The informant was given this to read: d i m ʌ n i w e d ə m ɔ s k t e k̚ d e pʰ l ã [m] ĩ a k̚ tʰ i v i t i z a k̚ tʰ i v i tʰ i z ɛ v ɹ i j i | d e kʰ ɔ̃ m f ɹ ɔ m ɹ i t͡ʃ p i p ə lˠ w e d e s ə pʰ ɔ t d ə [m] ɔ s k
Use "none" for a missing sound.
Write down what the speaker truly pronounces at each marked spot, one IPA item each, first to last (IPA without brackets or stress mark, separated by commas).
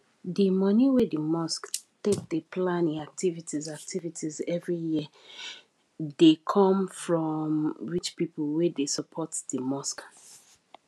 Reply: n, m